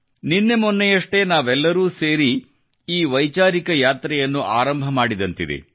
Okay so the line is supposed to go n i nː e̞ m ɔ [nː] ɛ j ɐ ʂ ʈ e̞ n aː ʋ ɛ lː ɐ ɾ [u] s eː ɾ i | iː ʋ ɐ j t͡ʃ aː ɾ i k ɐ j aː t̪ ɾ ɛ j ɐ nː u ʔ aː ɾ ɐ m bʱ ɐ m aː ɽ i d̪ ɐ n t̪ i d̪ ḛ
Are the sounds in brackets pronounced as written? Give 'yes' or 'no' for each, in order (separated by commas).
yes, no